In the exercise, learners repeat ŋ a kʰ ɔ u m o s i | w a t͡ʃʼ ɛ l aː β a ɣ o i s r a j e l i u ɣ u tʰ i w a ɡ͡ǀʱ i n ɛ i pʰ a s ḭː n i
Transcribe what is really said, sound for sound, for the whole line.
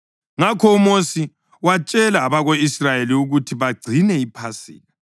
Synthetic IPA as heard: ŋ a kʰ ɔ u m o s i | w a t͡ʃʼ ɛ l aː β a ɣ o i s r a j e l i u ɣ u tʰ i β a ɡ͡ǀʱ i n ɛ i pʰ a s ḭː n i